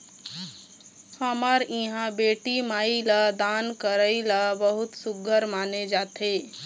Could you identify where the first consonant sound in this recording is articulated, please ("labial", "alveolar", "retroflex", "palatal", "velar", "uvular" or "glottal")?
glottal